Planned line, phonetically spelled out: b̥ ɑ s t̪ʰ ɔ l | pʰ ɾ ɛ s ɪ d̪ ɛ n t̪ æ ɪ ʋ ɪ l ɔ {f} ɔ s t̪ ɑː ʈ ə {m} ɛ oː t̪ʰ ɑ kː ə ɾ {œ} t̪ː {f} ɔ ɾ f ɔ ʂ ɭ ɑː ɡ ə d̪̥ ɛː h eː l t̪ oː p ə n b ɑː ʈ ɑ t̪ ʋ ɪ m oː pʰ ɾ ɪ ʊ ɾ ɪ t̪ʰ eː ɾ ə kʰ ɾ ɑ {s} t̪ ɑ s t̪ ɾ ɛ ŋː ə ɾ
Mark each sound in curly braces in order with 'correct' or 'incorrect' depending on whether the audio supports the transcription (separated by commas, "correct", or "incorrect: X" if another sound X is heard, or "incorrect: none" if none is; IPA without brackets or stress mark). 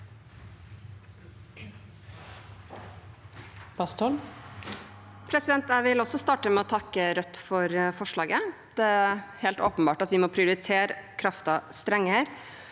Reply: incorrect: s, correct, correct, correct, incorrect: f